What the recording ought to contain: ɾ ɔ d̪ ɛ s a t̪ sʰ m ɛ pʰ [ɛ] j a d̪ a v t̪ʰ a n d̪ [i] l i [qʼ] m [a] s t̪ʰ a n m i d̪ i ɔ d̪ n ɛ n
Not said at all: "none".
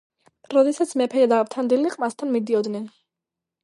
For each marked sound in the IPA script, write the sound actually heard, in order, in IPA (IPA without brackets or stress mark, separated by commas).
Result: ɛ, i, qʼ, a